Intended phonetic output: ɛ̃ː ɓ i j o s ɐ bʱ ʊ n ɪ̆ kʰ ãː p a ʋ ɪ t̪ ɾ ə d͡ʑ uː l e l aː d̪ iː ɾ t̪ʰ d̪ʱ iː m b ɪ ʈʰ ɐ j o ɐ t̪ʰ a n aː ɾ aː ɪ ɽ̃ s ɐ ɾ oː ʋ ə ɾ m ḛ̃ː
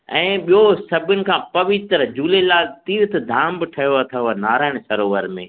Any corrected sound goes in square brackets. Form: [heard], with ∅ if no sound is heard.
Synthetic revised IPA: ɛ̃ː ɓ i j o s ɐ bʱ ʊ n ɪ̆ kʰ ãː p [ɐ] ʋ ɪ t̪ ɾ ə d͡ʑ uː l e l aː [t̪] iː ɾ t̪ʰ d̪ʱ [aː] m b ɪ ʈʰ ɐ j o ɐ t̪ʰ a n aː ɾ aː ɪ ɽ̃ s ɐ ɾ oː ʋ ə ɾ m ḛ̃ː